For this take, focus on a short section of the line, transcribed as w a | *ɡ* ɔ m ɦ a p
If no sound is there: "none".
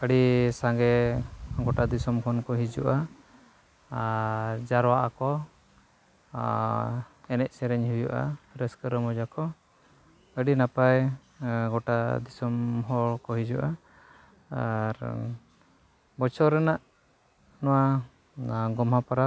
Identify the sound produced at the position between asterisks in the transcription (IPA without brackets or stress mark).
ɡ